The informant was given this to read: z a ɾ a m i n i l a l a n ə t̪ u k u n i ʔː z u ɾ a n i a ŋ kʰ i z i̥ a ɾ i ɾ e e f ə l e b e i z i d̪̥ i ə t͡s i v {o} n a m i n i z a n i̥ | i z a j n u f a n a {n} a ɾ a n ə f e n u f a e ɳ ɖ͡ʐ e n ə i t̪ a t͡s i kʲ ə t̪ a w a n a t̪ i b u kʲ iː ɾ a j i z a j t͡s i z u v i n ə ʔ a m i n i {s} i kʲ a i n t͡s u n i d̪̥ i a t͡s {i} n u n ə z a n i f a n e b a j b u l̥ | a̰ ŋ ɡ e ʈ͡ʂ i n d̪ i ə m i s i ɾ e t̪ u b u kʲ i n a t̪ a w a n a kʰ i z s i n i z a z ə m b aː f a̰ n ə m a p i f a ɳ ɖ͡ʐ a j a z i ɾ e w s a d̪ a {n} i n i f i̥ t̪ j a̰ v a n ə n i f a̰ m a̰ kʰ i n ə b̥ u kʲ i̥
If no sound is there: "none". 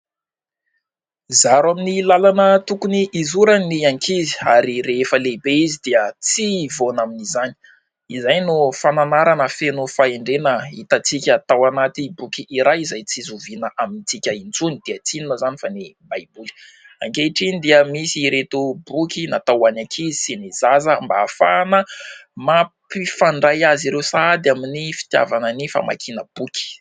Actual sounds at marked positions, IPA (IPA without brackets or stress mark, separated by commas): o, n, t͡s, i, m